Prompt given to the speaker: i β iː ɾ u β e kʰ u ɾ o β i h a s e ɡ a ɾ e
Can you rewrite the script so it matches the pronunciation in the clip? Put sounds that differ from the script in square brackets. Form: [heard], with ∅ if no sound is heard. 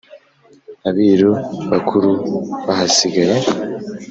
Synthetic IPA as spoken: [a] β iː ɾ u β [a] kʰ u ɾ [u] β [a] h a s [i] ɡ a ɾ e